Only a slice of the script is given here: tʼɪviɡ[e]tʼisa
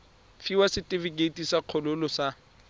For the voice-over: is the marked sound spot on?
yes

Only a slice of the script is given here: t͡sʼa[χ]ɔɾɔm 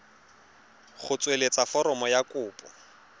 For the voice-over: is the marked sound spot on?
no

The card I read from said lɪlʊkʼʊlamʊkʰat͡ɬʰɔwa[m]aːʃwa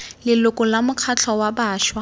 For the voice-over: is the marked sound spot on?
no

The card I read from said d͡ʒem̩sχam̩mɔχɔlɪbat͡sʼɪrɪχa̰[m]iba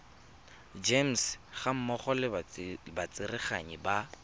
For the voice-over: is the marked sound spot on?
no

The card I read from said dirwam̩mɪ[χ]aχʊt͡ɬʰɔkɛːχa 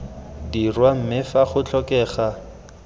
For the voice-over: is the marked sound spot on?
no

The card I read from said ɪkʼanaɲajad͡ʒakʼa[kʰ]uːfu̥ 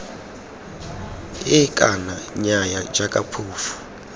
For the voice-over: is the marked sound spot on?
no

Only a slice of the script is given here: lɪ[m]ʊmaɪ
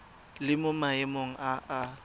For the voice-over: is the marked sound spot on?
yes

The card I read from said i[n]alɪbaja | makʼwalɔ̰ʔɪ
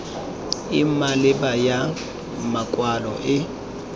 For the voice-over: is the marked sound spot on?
no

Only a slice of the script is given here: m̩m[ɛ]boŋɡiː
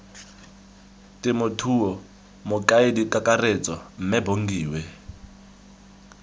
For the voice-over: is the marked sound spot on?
yes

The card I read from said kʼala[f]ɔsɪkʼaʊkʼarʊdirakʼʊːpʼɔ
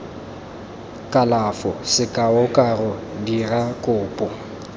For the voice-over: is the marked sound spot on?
yes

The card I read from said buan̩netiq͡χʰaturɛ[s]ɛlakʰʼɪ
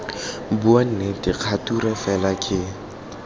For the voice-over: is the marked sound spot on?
no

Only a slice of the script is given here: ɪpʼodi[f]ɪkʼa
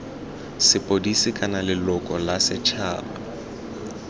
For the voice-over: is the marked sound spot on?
no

